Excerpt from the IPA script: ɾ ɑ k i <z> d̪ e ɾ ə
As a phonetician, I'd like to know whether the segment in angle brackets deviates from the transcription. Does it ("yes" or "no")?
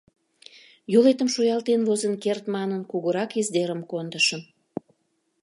no